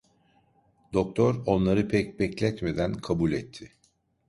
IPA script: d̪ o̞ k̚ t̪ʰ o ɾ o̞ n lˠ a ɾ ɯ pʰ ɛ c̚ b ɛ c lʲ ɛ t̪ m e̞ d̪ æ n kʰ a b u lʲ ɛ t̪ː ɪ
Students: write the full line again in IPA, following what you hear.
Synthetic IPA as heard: d̪ o̞ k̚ t̪ʰ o ɾ o̞ n lˠ a ɾ ɯ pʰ ɛ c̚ b ɛ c lʲ ɛ t̪ m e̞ d̪ æ n kʰ a b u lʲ ɛ t̪ʰː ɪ